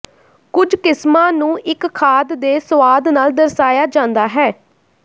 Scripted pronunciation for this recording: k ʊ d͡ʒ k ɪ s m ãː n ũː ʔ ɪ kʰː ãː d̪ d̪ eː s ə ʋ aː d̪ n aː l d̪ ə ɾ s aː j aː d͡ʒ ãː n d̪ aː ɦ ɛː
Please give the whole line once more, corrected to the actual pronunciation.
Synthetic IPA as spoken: k ʊ d͡ʒ k ɪ s m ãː n ũː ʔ ɪ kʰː aː d̪ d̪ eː s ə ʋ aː d̪ n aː l d̪ ə ɾ s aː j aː d͡ʒ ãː n d̪ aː ɦ ɛː